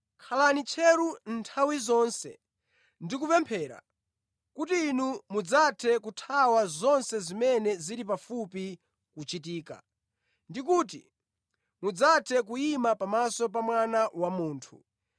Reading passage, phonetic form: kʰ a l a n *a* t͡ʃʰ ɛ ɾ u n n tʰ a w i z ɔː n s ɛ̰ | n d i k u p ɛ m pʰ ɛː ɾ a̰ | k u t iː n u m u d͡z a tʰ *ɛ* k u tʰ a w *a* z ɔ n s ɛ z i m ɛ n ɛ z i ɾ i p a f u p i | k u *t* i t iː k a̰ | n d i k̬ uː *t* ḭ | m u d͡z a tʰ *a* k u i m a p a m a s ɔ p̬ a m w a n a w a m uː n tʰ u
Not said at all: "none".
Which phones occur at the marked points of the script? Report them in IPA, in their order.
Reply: i, ɛ, a, t͡ʃ, t, ɛ

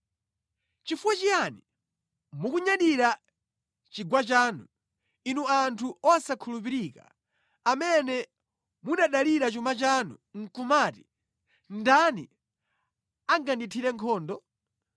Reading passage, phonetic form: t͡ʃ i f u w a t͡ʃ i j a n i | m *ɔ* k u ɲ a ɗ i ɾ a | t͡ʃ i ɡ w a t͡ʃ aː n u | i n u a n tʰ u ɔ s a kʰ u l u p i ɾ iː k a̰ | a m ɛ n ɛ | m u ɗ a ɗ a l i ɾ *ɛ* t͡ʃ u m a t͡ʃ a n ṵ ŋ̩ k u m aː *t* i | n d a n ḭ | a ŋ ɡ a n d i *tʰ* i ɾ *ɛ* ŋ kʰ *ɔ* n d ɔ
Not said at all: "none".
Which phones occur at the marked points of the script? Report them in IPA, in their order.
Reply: u, a, t, tʰ, ɛ, ɔː

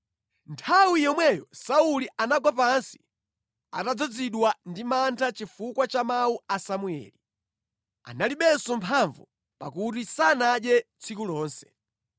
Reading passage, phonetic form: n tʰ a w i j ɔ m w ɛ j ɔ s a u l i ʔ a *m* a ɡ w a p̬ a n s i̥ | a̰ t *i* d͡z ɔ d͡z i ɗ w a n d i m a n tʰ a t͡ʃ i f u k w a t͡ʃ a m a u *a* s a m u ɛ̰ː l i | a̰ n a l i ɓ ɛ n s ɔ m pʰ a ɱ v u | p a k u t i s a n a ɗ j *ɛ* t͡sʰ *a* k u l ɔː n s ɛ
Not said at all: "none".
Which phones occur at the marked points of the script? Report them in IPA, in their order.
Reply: n, a, a, ɛ, i

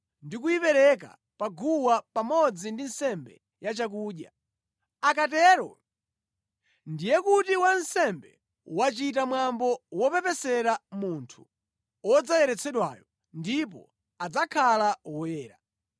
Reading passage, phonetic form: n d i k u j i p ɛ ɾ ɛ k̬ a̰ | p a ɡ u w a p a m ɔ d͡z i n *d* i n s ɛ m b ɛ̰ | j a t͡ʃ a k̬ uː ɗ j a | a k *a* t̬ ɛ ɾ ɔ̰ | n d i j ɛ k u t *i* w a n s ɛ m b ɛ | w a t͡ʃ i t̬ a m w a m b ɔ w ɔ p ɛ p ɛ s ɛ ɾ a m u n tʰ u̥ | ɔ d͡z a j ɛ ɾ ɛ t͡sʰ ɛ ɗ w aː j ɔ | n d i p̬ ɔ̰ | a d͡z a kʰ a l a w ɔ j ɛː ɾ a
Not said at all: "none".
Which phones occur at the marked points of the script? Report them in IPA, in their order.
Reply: d, a, i

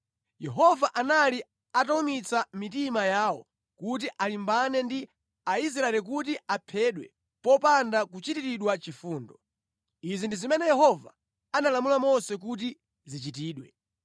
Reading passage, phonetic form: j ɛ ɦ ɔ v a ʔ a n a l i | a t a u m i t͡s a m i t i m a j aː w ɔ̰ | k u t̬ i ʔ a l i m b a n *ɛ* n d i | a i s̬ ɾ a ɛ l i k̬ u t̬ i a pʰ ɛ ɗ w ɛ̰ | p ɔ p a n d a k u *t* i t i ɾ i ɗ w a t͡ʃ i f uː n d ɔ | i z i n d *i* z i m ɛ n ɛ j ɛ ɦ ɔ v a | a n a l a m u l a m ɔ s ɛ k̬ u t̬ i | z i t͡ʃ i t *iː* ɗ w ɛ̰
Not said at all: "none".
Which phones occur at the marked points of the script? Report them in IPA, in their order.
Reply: ɛ, t͡ʃ, i, iː

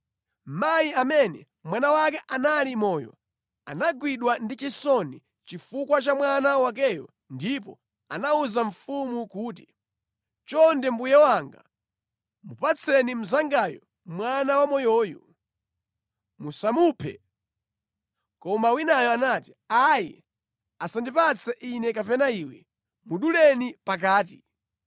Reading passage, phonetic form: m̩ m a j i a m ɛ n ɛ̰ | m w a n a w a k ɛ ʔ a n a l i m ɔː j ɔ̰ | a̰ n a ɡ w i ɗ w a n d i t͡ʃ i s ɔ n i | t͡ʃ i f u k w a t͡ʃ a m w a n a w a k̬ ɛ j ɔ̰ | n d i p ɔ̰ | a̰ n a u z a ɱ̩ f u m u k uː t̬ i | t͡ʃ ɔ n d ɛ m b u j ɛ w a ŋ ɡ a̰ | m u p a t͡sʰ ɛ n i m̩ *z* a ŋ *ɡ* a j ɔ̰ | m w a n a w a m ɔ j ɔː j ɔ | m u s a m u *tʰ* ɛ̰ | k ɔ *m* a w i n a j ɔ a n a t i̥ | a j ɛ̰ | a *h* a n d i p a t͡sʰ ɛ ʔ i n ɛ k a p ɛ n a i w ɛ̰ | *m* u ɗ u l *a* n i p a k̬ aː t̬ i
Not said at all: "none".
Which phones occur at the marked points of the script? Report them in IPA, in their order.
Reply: z, ɡ, pʰ, m, s, m, ɛ

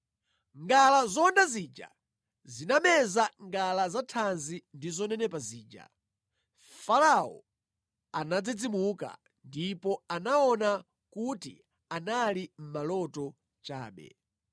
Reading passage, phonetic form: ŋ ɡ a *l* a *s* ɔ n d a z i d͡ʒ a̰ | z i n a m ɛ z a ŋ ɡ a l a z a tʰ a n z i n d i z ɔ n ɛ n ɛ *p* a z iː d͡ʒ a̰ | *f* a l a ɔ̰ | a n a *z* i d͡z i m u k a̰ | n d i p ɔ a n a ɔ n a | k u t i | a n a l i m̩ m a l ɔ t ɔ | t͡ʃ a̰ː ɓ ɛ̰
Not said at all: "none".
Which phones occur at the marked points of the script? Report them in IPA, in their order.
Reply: l, z, p, f, d͡z

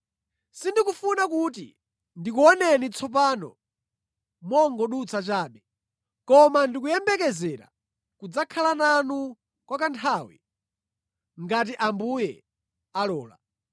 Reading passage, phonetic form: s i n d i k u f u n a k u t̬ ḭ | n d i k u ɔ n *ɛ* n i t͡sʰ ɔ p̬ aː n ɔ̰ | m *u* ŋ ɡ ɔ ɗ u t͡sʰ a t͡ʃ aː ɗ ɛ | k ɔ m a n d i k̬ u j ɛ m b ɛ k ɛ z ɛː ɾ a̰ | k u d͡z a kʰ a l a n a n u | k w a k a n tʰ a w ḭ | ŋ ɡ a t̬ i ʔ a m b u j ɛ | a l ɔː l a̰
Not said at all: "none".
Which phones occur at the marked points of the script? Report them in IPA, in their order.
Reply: ɛ, ɔ

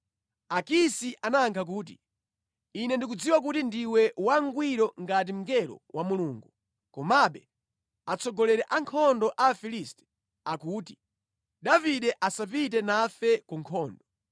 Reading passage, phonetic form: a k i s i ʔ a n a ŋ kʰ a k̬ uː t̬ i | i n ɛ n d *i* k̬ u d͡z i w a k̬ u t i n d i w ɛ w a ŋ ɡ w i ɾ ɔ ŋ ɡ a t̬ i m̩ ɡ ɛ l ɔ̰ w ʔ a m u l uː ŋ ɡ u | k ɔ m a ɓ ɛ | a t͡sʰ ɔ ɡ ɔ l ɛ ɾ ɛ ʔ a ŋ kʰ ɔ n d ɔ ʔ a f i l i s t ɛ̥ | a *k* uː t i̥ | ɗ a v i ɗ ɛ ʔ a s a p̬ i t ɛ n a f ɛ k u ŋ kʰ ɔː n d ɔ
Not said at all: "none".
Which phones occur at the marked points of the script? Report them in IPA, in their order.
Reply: i, k

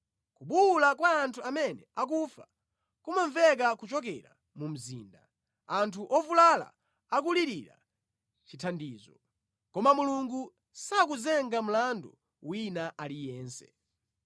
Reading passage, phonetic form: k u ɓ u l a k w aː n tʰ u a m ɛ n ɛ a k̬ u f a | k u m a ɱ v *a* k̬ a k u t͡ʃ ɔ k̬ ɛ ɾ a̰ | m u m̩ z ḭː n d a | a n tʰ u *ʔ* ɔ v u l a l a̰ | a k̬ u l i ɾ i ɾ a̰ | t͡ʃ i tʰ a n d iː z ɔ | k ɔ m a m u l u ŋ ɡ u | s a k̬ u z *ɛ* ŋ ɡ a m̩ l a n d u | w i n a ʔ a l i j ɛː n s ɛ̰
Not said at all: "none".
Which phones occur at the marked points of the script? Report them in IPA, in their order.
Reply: ɛ, ʔ, ɛ

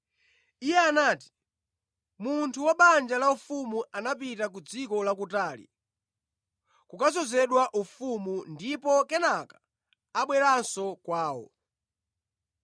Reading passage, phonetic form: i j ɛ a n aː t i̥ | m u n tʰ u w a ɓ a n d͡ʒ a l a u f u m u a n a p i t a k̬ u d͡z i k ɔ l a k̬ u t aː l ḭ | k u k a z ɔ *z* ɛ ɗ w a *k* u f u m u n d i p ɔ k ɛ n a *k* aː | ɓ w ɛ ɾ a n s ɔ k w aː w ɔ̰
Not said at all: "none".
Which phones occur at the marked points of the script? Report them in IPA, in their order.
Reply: z, ʔ, k

